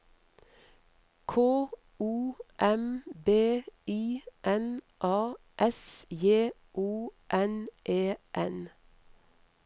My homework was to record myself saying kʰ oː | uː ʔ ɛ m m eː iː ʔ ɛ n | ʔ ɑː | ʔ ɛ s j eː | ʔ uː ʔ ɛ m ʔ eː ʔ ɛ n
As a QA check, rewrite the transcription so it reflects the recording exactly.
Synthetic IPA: kʰ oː | uː ʔ ɛ m b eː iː ʔ ɛ n | ʔ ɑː | ʔ ɛ s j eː | ʔ uː ʔ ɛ n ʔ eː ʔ ɛ n